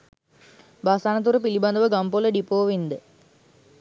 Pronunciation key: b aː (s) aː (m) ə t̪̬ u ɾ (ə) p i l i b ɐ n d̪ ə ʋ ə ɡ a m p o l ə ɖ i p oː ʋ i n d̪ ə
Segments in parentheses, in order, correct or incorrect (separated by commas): correct, incorrect, correct